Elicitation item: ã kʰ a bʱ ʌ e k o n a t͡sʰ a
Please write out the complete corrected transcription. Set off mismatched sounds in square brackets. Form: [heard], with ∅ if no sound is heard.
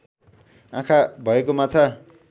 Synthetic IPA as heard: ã kʰ a bʱ ʌ e k o [m] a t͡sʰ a